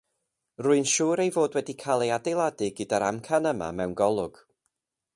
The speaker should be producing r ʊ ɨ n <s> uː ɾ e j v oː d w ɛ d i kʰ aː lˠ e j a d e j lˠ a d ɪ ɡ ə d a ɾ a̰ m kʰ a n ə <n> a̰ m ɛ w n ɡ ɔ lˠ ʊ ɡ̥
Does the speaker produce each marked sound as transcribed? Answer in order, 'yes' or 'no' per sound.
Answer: no, no

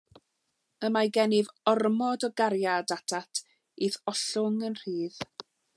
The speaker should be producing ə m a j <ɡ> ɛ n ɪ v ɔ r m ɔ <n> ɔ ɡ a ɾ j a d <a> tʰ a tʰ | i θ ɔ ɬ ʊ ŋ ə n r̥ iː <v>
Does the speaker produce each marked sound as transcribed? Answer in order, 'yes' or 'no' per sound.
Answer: yes, no, yes, no

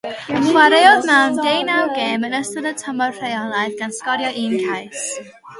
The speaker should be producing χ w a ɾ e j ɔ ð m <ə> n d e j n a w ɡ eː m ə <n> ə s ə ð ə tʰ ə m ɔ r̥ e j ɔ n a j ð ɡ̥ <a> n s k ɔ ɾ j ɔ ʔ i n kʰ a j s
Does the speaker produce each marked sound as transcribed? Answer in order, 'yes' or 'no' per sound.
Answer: no, yes, yes

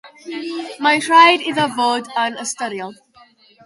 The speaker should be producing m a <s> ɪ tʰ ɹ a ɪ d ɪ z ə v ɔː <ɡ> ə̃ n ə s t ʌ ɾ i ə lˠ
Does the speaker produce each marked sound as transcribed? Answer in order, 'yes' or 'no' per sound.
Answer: no, no

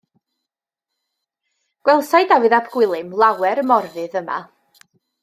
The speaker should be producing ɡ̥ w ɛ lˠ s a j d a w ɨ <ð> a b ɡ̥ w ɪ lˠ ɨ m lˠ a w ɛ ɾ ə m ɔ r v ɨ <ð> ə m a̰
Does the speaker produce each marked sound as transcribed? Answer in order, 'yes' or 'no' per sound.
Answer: yes, yes

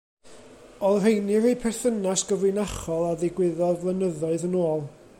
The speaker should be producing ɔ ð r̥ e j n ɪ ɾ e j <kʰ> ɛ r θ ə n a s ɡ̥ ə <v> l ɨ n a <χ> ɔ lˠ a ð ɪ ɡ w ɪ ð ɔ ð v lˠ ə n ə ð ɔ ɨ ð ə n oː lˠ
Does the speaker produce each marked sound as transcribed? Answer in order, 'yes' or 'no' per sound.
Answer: no, yes, yes

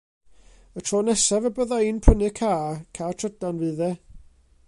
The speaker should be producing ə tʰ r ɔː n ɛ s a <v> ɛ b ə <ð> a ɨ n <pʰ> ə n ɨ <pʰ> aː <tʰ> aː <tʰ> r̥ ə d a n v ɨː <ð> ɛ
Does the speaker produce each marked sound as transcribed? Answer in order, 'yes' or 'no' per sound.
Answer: yes, yes, yes, no, no, yes, yes

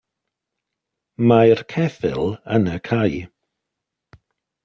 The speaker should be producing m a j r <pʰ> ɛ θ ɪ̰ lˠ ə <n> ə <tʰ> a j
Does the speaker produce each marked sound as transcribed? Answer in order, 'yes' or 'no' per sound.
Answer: no, yes, no

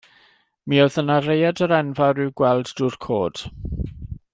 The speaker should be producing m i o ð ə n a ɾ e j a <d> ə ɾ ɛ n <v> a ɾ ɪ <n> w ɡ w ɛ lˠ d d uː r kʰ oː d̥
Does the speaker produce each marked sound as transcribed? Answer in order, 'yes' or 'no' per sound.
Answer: yes, yes, no

